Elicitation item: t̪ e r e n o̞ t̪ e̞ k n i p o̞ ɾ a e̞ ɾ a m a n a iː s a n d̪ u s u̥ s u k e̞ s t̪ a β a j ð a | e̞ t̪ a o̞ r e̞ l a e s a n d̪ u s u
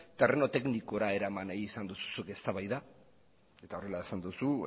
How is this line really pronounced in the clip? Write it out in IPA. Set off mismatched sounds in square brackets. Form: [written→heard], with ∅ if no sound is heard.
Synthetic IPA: t̪ e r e n o̞ t̪ e̞ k n i [p→k] o̞ ɾ a e̞ ɾ a m a n a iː s a n d̪ u s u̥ s u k e̞ s t̪ a β a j ð a | e̞ t̪ a o̞ r e̞ l a e s a n d̪ u s u